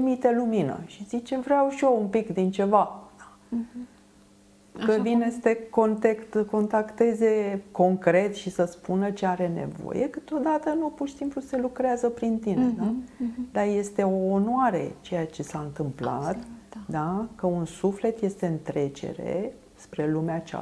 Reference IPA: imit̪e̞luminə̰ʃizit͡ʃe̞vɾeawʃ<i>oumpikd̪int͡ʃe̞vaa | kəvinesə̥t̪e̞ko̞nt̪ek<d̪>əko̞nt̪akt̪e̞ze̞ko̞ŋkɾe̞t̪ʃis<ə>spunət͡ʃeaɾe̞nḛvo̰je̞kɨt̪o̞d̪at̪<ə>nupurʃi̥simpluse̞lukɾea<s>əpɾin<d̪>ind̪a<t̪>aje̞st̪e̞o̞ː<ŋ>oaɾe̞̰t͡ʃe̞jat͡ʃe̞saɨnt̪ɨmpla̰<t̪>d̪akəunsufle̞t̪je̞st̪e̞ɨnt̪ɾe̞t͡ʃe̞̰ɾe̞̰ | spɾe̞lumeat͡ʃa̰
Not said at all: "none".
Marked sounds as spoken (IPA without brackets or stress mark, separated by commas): i, t̪, ə, ə, z, t̪, d̪, n, t̪